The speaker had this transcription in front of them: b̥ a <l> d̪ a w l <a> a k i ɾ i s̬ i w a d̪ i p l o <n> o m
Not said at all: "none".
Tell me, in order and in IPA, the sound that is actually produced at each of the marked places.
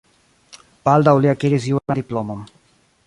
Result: l, i, m

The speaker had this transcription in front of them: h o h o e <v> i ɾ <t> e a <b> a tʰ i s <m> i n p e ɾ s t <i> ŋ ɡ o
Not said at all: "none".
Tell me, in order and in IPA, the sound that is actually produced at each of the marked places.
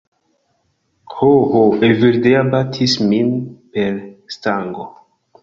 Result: v, d, b, m, a

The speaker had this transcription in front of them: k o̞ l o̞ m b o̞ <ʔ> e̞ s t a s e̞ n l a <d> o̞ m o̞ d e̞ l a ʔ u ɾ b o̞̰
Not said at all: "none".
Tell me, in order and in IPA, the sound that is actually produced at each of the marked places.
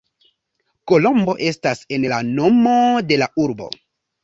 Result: ʔ, n

